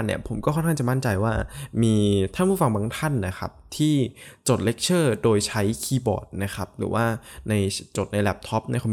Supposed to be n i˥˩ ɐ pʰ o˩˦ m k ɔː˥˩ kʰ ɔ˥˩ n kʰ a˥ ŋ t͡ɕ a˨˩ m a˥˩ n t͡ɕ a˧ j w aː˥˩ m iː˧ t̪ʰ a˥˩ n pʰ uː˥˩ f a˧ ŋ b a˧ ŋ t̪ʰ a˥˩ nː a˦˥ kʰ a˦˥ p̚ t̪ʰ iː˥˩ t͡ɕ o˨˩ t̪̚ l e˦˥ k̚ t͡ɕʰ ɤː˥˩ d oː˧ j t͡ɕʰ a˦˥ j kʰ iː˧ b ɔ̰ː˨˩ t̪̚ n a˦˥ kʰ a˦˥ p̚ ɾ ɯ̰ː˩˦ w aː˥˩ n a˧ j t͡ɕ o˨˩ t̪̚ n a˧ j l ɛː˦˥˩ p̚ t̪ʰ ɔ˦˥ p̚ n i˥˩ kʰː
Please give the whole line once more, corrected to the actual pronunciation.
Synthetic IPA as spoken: n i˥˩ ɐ pʰ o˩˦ m k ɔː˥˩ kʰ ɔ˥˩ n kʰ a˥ ŋ t͡ɕ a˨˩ m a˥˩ n t͡ɕ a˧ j w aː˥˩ m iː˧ t̪ʰ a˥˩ n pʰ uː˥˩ f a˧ ŋ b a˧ ŋ t̪ʰ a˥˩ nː a˦˥ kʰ a˦˥ p̚ t̪ʰ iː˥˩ t͡ɕ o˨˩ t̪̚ l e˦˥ k̚ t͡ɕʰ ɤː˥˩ d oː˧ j t͡ɕʰ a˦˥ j kʰ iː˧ b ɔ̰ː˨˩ t̪̚ n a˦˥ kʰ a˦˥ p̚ ɾ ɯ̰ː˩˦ w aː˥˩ n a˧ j t͡ɕ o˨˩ t̪̚ n a˧ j l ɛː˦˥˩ p̚ t̪ʰ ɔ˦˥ p̚ n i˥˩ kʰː